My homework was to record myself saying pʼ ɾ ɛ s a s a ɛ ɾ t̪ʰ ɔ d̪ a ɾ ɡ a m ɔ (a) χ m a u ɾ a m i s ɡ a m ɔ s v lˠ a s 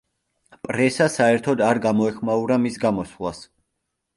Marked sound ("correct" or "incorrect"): incorrect